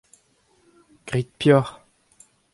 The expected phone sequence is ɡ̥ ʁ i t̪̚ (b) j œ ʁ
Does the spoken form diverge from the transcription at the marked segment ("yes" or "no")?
yes